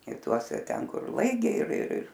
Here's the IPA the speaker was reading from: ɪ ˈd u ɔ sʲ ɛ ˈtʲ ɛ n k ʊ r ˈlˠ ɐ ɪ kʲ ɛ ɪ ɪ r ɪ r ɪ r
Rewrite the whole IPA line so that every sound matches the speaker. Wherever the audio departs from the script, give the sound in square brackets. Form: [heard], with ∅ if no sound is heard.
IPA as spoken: ɪ [ˈt] u ɔ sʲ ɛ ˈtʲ ɛ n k ʊ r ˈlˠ ɐ ɪ [ɡʲ] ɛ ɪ ɪ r ɪ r ɪ r